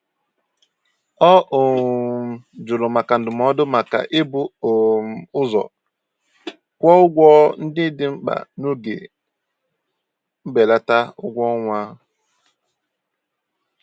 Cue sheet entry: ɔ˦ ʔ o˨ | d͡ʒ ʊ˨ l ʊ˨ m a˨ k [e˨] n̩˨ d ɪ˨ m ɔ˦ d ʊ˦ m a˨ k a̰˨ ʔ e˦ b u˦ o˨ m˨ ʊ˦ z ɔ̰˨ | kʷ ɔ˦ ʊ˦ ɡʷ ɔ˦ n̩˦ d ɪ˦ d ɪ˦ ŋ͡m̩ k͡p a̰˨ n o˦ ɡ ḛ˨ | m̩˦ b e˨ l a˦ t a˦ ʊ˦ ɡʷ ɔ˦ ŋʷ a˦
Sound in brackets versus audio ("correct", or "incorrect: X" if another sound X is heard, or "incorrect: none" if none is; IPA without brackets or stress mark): incorrect: a˨